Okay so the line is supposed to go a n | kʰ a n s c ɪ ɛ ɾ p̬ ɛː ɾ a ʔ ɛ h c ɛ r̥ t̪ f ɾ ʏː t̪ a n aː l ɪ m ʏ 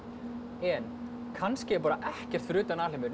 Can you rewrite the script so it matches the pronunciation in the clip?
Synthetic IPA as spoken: ɛ n | kʰ a n s c ɪ ɛ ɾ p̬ aː ɾ a ʔ ɛ h c ɛ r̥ t̪ f ɾ ʏː t̪ a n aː l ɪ m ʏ